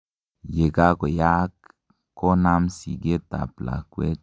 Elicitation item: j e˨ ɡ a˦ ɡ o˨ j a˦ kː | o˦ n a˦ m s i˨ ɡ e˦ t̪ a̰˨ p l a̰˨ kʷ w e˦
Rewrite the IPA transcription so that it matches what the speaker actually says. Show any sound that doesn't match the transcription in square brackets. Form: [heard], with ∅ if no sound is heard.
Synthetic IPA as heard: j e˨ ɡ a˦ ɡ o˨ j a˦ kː | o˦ n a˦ m s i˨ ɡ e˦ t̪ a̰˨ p l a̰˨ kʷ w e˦